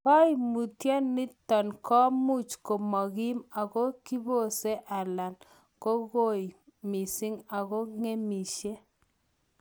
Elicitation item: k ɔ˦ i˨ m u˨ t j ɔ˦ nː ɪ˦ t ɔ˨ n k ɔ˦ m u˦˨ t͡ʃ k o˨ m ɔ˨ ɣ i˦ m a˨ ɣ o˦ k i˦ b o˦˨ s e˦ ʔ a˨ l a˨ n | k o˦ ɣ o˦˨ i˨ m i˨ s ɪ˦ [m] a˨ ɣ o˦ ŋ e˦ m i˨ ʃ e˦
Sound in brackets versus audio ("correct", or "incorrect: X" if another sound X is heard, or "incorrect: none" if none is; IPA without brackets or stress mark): incorrect: ŋ